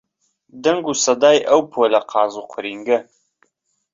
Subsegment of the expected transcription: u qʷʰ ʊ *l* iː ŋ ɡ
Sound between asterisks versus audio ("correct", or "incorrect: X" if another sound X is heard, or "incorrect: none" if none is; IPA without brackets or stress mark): incorrect: ɾ